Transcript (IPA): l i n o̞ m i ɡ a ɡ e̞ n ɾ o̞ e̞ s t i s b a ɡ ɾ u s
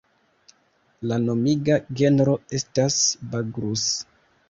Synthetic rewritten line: l a n o̞ m i ɡ a ɡ e̞ n ɾ o̞ e̞ s t a s b a ɡ ɾ u s